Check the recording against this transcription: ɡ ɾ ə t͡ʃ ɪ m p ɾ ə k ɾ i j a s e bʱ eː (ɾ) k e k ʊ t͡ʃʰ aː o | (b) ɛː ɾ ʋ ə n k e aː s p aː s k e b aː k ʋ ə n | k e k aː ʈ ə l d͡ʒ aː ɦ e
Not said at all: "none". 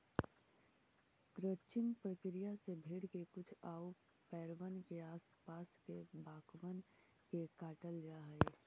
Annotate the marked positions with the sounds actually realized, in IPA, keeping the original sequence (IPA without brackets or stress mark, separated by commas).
ɽ, p